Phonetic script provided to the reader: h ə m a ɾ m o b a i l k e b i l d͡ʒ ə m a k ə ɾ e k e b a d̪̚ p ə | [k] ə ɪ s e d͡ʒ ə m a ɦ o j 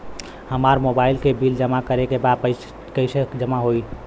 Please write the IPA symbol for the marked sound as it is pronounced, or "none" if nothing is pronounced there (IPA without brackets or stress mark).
k